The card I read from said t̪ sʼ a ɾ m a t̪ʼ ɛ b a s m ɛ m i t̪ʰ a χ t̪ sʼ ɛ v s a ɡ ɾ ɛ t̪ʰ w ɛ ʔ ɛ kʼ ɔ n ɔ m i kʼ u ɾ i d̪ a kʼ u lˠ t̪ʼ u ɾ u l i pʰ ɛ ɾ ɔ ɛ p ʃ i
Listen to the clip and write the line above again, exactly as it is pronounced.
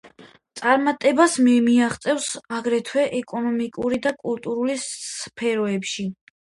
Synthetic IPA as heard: t̪ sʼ a ɾ m a t̪ʼ ɛ b a s m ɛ m i a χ t̪ sʼ ɛ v s a ɡ ɾ ɛ t̪ʰ w ɛ ʔ ɛ kʼ ɔ n ɔ m i kʼ u ɾ i d̪ a kʼ u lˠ t̪ʼ u ɾ u l i pʰ ɛ ɾ ɔ ɛ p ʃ i